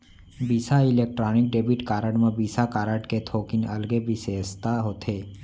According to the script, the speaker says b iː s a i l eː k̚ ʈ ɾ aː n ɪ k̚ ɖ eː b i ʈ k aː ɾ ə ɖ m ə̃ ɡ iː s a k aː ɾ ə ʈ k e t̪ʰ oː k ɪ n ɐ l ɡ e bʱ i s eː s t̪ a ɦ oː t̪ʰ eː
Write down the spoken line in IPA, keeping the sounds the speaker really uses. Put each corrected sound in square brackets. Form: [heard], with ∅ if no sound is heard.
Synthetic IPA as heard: b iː s a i l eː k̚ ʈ ɾ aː n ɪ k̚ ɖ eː b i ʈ k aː ɾ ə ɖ m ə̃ [b] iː s a k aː ɾ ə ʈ k e t̪ʰ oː k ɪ n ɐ l ɡ e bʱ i s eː s t̪ a ɦ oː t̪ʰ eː